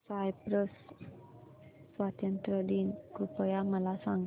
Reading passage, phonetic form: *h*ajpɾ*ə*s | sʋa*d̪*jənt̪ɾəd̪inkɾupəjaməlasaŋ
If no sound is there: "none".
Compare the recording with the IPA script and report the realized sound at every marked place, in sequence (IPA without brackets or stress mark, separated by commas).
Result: s, ə, t̪